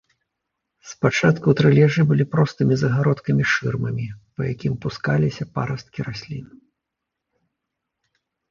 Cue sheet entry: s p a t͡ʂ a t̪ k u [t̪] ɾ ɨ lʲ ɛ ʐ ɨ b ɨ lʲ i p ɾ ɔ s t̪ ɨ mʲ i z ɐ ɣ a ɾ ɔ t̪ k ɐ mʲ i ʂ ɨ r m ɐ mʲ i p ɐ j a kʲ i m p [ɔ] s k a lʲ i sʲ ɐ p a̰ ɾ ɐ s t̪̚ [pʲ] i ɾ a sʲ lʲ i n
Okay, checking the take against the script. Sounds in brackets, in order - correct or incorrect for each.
correct, incorrect, incorrect

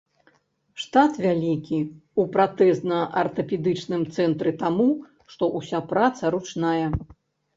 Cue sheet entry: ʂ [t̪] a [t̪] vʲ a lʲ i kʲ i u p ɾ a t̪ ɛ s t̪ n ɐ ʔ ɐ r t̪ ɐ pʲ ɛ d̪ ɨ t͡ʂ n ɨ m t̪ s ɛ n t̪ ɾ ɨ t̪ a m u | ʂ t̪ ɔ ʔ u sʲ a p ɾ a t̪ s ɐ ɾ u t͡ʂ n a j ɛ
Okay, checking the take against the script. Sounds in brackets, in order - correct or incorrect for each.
correct, correct

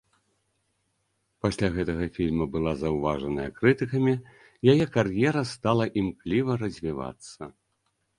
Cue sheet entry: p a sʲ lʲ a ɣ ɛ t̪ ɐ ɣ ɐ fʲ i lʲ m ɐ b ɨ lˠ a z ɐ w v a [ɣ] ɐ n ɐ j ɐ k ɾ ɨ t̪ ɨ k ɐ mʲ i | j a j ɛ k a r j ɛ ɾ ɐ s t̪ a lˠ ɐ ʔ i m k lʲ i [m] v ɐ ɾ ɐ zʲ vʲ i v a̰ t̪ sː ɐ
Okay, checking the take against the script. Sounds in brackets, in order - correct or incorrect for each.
incorrect, incorrect

